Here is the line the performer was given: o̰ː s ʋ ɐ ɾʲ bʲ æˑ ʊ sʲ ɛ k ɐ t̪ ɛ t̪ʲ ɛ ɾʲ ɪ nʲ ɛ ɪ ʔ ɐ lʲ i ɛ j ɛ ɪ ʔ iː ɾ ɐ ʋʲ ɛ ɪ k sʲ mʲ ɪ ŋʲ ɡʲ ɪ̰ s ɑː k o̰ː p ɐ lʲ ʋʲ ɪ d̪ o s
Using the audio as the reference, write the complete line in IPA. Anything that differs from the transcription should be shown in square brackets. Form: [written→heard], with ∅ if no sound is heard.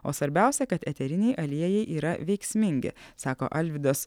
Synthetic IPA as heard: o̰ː s ʋ ɐ ɾʲ bʲ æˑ ʊ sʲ ɛ k ɐ t̪ ɛ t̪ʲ ɛ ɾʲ ɪ nʲ ɛ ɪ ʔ ɐ lʲ i ɛ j ɛ ɪ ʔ iː ɾ ɐ ʋʲ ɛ ɪ k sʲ mʲ ɪ ŋʲ ɡʲ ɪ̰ s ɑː k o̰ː [p→ʔ] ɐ lʲ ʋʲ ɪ d̪ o s